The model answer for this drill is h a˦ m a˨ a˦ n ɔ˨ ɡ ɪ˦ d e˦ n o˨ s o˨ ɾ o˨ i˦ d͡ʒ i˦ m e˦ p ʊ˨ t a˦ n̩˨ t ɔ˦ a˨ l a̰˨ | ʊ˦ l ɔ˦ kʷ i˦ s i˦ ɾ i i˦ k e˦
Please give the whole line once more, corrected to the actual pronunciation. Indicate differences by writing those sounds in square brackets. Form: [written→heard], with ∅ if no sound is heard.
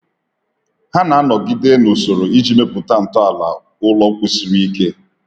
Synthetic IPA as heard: h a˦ [m→n] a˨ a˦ n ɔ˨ ɡ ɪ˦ d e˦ n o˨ s o˨ ɾ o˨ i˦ d͡ʒ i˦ m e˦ p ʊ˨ t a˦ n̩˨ t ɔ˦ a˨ l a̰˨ | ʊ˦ l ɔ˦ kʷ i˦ s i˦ ɾ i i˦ k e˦